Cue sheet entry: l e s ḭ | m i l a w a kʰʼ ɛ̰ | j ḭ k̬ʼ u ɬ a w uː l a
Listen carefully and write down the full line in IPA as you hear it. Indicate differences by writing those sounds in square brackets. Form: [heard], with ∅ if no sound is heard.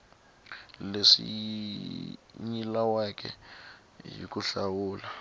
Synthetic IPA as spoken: l e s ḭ | [ɲ] i l a w a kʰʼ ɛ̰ | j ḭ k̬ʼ u ɬ a w uː l a